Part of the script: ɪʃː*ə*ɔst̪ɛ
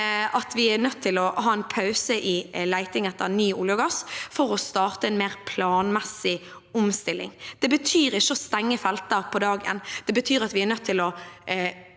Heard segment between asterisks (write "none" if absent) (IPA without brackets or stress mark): ə